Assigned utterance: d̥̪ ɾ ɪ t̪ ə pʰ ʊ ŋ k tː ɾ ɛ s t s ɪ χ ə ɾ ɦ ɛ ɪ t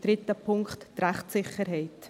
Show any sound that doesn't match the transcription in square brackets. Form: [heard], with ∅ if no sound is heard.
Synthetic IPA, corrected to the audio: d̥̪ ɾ ɪ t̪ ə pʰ ʊ ŋ k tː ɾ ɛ [χ] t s ɪ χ ə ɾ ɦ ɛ ɪ t